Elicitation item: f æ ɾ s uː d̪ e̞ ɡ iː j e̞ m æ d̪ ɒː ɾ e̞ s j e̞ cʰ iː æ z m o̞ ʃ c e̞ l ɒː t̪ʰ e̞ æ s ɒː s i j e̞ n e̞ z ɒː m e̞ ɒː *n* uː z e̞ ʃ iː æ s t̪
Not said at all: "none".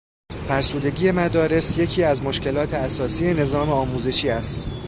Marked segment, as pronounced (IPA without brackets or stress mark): m